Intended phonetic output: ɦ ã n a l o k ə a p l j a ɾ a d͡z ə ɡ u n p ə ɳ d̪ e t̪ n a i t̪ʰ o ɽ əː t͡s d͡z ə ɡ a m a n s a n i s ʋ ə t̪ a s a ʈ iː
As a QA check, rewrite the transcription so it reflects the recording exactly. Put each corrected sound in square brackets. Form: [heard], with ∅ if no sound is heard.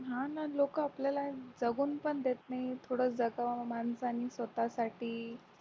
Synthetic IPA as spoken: ɦ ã n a l o k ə a p l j a [l] a d͡z ə ɡ [uː] n p ə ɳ d̪ e t̪ n a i t̪ʰ o ɽ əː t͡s d͡z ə ɡ a m a n s a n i s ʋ ə t̪ a s a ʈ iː